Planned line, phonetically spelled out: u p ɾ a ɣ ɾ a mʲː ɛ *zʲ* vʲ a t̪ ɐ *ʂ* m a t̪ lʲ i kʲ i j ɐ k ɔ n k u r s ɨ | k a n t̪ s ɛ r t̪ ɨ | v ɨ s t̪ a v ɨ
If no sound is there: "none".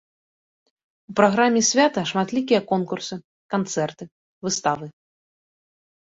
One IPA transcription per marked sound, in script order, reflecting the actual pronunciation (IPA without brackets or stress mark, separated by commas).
sʲ, ʂ